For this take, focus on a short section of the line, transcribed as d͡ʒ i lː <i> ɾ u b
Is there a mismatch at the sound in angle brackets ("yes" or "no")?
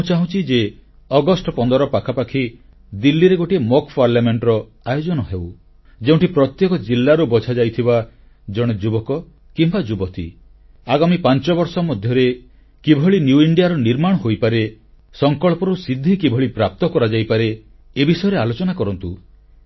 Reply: yes